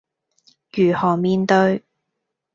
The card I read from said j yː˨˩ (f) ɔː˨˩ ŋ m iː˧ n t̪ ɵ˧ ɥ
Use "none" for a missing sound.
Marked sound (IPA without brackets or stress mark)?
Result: h